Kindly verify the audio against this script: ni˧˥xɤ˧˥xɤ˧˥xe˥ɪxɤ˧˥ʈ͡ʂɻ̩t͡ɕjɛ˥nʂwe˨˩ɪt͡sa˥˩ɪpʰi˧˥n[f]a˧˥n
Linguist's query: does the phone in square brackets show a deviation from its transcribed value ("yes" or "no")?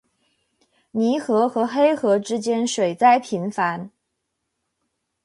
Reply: no